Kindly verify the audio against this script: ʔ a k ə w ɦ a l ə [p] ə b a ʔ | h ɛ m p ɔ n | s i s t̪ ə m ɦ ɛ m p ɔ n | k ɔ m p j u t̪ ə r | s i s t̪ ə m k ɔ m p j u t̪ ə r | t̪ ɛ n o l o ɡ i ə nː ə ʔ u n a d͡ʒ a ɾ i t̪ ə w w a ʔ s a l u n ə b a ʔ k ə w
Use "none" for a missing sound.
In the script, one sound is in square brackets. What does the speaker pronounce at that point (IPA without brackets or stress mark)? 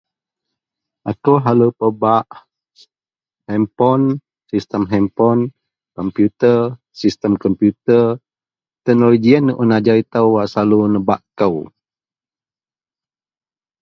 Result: p